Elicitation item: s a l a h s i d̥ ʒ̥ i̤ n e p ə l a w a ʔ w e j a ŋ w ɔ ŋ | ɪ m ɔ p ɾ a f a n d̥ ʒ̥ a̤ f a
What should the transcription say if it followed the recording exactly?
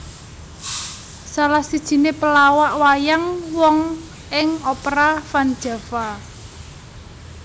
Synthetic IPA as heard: s a l a h s i d̥ ʒ̥ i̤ n e p ə l a w a ʔ w a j a ŋ w ɔ ŋ | ɪ ŋ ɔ p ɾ a f a n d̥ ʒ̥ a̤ f a